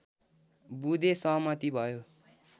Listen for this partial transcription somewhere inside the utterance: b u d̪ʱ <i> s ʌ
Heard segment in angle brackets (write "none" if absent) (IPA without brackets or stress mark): e